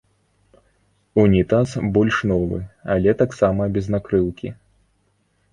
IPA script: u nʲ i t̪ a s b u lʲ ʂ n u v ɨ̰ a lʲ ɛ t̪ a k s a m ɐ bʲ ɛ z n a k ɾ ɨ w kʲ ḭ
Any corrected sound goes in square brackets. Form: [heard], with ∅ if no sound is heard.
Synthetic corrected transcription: u nʲ i t̪ a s b [ɔ] lʲ ʂ n [ɔ] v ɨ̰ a lʲ ɛ t̪ a k s a m ɐ bʲ ɛ z n a k ɾ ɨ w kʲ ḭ